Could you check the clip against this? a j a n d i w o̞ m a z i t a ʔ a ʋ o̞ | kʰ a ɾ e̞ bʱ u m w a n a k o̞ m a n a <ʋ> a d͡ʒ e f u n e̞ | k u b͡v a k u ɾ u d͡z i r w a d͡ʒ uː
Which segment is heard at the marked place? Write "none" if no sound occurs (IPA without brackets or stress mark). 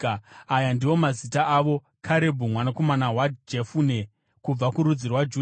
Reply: w